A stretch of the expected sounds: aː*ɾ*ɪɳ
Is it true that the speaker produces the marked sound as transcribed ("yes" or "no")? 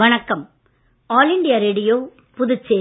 no